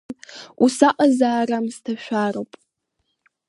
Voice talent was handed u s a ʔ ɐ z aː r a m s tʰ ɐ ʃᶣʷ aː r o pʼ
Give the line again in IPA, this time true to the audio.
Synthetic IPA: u s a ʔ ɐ z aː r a m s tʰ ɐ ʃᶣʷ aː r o pʼ

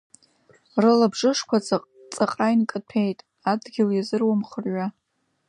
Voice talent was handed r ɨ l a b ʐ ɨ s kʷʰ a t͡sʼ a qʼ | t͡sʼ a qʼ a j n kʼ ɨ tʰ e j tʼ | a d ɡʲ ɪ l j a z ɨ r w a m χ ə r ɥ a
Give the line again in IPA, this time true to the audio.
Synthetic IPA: r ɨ l a b ʐ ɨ ʂ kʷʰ a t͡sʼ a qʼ | t͡sʼ a qʼ a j n kʼ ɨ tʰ e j tʼ | a d ɡʲ ɪ l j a z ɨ r w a m χ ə r ɥ a

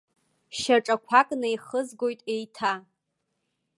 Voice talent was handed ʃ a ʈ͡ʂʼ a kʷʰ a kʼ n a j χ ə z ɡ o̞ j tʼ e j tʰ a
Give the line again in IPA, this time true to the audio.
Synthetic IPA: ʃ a ʈ͡ʂʼ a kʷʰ a kʼ n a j χ ə z ɡ o̞ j tʼ e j tʰ a

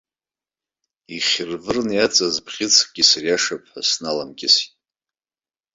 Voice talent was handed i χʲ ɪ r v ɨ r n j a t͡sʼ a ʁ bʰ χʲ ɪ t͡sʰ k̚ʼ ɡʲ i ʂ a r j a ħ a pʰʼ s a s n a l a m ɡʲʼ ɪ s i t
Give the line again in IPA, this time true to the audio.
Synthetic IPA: i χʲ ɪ r v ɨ r n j a t͡sʼ a z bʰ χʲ ɪ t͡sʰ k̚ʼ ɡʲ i s a r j a ʂ a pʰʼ ħ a s n a l a m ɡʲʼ ɪ s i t

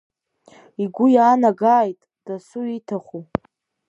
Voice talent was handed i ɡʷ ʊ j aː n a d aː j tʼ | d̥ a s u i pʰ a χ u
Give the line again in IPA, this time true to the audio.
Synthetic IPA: i ɡʷ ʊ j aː n a ɡ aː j tʼ | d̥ a s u i tʰ a χ u

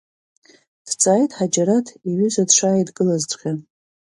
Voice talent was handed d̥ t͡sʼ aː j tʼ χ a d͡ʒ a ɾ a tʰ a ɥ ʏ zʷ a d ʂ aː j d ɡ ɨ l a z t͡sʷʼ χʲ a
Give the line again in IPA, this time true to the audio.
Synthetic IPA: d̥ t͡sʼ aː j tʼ ħ a d͡ʒ a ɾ a tʰ i ɥ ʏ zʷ a d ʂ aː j d ɡ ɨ l a z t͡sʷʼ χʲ a

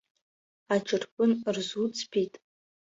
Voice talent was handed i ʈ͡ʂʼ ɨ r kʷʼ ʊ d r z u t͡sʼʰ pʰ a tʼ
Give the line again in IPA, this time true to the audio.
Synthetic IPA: a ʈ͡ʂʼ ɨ r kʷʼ ʊ n r z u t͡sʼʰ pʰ i tʼ

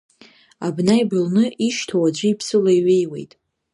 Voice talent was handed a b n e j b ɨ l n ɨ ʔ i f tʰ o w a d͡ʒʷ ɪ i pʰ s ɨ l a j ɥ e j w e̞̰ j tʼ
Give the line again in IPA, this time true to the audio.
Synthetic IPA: a b n a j b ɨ l n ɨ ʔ i ʃ tʰ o w a d͡ʒʷ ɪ i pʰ s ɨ l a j ɥ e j w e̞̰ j tʼ

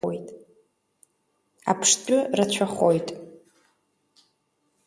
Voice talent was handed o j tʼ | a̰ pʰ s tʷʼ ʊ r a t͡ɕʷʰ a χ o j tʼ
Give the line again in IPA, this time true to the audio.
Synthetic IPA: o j tʼ | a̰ pʰ ʂ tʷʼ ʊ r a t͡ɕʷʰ a χ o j tʼ

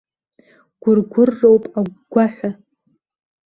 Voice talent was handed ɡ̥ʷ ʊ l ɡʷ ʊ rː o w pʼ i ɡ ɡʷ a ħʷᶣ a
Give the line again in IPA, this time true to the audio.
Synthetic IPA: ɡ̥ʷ ʊ r ɡʷ ʊ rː o w pʼ a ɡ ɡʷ a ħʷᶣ a

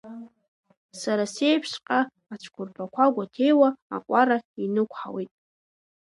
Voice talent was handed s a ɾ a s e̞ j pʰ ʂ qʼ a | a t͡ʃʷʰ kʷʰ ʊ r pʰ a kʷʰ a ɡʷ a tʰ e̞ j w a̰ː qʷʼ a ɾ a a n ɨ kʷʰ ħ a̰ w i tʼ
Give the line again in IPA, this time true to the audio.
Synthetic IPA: s a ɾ a s e̞ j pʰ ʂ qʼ a | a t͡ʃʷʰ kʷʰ ʊ r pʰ a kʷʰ a ɡʷ a tʰ e̞ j w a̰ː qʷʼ a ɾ a i n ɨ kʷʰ ħ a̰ w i tʼ

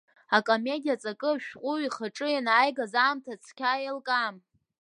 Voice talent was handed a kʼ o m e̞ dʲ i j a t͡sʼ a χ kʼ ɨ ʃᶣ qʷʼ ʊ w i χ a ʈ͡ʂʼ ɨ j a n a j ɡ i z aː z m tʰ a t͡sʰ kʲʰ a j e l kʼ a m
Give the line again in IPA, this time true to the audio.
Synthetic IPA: a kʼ o m e̞ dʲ i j a t͡sʼ a kʼ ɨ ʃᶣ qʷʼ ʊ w i χ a ʈ͡ʂʼ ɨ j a n a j ɡ a z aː m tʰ a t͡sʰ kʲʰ a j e l kʼ a m

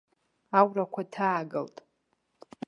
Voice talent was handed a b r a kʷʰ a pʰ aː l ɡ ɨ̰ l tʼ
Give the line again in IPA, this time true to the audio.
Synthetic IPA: a w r a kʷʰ a tʰ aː ɡ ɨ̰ l tʼ

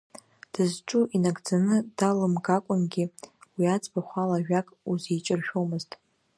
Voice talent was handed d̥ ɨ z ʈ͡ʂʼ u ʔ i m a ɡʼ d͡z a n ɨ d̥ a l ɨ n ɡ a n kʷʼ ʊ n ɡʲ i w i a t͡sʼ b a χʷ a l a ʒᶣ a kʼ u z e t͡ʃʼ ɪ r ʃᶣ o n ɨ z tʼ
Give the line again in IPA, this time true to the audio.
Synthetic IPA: d̥ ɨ z ʈ͡ʂʼ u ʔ i n a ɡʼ d͡z a n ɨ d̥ a l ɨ m ɡ a kʷʼ ʊ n ɡʲ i w i a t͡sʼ b a χʷ a l a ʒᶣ a kʼ u z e t͡ʃʼ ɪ r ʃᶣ o m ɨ z tʼ

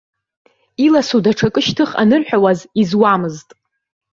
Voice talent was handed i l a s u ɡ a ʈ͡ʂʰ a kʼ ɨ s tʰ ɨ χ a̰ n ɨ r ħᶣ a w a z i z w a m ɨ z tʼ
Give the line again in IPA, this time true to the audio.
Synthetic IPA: i l a s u d a ʈ͡ʂʰ a kʼ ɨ ʃ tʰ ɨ χ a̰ n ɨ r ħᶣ a w a z i z w a m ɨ z tʼ

